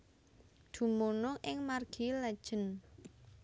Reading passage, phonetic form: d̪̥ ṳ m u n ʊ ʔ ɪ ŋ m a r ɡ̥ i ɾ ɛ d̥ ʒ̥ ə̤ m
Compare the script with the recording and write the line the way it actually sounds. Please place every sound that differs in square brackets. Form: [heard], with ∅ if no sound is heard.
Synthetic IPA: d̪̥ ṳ m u n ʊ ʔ ɪ ŋ m a r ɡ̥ i [l] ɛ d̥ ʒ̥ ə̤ [n]